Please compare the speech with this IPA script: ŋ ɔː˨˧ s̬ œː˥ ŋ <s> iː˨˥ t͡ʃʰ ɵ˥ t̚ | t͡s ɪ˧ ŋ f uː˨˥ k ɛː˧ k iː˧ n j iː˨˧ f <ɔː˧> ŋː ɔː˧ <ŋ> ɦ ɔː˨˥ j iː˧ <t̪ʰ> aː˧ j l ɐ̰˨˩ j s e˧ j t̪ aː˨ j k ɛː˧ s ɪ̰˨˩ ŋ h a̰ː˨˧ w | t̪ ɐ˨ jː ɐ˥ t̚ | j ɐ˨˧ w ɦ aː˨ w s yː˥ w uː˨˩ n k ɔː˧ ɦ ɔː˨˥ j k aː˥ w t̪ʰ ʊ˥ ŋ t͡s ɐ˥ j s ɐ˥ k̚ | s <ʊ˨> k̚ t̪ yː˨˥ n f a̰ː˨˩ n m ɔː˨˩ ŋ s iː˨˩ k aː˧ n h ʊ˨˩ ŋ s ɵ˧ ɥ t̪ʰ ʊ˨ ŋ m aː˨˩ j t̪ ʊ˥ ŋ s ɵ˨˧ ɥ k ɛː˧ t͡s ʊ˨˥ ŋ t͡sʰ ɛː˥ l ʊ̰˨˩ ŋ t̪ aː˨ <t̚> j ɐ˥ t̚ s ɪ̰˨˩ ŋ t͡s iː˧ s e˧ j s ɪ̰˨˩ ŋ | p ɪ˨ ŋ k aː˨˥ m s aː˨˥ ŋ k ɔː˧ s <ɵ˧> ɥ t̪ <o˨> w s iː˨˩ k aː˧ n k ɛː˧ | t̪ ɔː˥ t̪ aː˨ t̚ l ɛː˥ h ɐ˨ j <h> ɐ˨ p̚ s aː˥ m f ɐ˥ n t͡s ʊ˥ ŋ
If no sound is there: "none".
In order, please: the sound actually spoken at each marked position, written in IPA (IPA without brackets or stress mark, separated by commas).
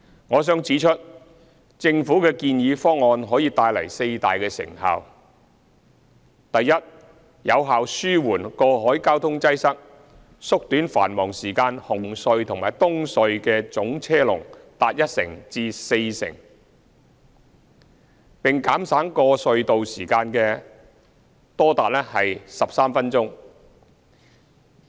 t͡s, ɔː˥, n, t̪, ʊ˥, t̚, ɵ˧, o˨, s